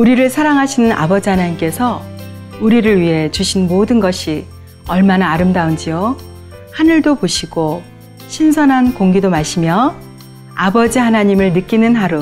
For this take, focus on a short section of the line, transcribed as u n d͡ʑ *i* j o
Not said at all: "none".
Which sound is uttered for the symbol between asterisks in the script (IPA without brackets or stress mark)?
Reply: i